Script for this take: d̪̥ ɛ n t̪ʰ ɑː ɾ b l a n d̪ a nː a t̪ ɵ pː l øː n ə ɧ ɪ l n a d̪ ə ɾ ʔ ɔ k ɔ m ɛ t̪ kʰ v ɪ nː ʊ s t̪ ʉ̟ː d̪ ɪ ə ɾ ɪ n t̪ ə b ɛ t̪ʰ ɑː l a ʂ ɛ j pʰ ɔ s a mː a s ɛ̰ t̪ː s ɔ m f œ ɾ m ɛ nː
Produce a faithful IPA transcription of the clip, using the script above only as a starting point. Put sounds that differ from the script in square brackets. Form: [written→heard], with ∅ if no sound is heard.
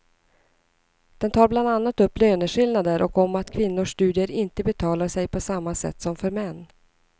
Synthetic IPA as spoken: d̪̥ ɛ n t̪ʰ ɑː ɾ b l a n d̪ a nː a t̪ ɵ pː l øː n ə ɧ ɪ l n a d̪ ə ɾ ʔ ɔ k ɔ m [ɛ→a] t̪ kʰ v ɪ nː ʊ [s→ʂ] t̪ ʉ̟ː d̪ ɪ ə ɾ ɪ n t̪ ə b ɛ t̪ʰ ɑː l a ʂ ɛ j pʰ ɔ s a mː a s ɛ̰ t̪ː s ɔ m f œ ɾ m ɛ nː